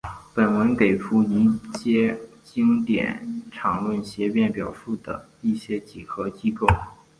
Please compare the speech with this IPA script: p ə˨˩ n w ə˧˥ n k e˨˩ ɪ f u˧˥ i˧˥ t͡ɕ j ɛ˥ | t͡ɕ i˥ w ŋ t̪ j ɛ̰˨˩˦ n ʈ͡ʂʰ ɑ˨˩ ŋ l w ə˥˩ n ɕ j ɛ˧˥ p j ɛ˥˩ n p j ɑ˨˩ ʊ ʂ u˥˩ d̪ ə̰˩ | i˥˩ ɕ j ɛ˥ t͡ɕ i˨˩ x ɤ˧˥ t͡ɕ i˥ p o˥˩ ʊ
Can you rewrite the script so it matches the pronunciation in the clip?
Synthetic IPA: p ə˨˩ n w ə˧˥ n k e˨˩ ɪ f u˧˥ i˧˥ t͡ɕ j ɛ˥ | t͡ɕ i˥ ŋ t̪ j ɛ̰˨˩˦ n ʈ͡ʂʰ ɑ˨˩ ŋ l w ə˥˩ n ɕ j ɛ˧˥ p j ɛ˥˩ n p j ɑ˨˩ ʊ ʂ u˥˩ d̪ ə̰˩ | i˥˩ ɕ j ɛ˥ t͡ɕ i˨˩ x ɤ˧˥ t͡ɕ i˥ k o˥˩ ʊ